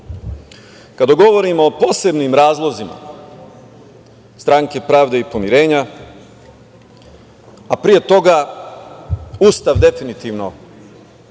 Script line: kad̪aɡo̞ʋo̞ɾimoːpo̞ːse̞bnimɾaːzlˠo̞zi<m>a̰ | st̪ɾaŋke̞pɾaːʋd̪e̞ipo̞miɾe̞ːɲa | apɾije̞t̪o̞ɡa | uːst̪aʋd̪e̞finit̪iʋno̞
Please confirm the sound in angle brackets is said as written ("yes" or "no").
yes